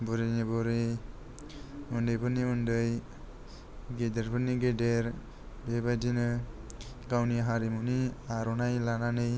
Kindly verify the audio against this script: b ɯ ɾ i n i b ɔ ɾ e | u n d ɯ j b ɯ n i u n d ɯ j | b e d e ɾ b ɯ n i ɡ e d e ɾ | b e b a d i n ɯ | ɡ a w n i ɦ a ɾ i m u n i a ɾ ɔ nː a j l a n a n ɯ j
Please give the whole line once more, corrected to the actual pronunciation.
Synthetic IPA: b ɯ ɾ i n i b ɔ ɾ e | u n d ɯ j b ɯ n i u n d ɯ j | ɡ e d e ɾ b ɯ n i ɡ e d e ɾ | b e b a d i n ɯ | ɡ a w n i ɦ a ɾ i m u n i a ɾ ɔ n a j l a n a n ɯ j